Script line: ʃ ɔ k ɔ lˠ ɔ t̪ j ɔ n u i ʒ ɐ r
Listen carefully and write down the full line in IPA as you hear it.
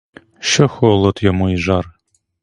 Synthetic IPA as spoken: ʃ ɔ x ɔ lˠ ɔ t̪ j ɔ m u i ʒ ɑ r